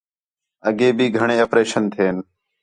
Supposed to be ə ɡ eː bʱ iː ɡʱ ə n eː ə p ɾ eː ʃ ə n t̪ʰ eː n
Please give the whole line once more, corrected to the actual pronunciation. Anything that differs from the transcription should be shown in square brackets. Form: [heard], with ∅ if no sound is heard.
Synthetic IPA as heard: ə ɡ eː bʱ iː ɡʱ ə [ɳ] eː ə p ɾ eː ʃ ə n t̪ʰ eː n